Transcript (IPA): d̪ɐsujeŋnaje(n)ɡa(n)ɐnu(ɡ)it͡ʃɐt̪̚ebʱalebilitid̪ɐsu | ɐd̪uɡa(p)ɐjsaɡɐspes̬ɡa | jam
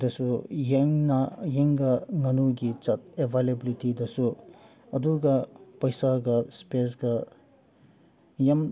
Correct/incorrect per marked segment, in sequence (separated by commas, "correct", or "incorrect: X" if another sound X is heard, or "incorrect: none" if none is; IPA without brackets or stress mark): incorrect: ŋ, incorrect: ŋ, correct, correct